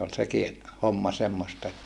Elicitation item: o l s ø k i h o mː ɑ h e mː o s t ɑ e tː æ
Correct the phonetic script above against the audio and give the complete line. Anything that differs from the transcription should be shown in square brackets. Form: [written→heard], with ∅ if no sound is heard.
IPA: o l s [ø→e] k i h o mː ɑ [h→s] e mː o s t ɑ e tː æ